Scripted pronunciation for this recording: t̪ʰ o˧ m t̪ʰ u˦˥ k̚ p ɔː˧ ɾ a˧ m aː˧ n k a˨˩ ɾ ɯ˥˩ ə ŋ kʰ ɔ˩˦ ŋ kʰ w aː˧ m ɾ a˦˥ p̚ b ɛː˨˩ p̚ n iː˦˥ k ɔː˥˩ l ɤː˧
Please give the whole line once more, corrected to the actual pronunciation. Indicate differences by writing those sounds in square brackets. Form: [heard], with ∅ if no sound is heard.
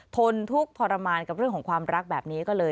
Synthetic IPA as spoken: t̪ʰ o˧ [n] t̪ʰ u˦˥ k̚ [pʰ] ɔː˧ ɾ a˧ m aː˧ n k a˨˩ ɾ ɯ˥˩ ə ŋ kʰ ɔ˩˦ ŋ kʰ w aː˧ m ɾ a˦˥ [k̚] b ɛː˨˩ p̚ n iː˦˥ k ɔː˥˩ l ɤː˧